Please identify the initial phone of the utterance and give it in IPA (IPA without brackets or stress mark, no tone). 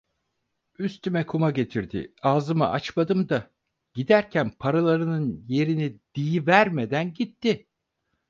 y